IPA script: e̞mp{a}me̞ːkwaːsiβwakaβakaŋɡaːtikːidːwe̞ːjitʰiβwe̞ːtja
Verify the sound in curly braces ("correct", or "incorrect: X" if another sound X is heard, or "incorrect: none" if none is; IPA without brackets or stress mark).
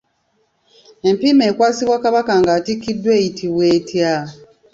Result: incorrect: i